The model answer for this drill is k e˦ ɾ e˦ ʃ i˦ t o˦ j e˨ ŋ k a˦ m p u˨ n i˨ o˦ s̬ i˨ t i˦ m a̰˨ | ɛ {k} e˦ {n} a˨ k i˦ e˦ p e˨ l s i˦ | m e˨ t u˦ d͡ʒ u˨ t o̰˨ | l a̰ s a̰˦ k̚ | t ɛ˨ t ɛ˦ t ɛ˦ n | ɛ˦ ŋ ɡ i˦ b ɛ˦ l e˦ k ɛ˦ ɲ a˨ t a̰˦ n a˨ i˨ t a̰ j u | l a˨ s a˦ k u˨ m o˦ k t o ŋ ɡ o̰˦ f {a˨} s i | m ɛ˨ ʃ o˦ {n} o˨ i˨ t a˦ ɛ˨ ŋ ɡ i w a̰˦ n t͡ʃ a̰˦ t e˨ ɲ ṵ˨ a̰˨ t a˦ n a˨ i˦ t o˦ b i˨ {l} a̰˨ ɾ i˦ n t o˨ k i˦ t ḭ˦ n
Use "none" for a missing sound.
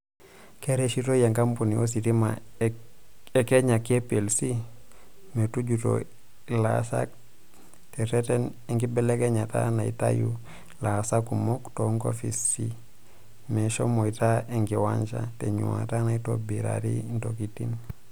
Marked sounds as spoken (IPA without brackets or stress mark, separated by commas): k, ɲ, i˨, m, ɾ